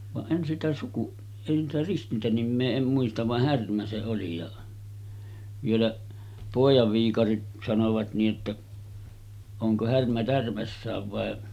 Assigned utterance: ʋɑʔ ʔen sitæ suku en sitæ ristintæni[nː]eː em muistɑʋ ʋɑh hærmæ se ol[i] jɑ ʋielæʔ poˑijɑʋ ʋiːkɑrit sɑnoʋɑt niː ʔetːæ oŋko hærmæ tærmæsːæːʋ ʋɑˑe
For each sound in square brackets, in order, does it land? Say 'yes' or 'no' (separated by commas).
no, yes